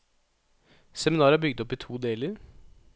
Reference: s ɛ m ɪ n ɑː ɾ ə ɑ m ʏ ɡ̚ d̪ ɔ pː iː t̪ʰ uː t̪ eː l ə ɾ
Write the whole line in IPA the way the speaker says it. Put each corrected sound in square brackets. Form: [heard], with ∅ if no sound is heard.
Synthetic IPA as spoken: s ɛ m ɪ n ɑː ɾ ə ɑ [b] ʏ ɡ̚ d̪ ɔ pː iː t̪ʰ uː [d̪] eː l ə ɾ